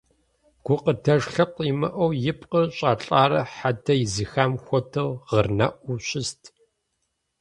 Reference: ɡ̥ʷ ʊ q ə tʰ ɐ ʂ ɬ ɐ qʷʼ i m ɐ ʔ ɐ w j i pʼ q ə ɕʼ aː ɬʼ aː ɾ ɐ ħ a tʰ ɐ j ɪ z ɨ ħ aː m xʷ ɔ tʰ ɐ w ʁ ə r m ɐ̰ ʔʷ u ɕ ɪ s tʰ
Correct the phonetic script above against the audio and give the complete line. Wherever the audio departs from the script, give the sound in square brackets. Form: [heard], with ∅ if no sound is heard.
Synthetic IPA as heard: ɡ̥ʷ ʊ q ə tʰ ɐ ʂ ɬ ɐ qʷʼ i m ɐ ʔ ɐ w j [ɪ] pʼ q ə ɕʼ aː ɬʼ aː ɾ ɐ ħ a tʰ ɐ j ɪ z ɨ [x] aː m xʷ ɔ tʰ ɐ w ʁ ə r [n] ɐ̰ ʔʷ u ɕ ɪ s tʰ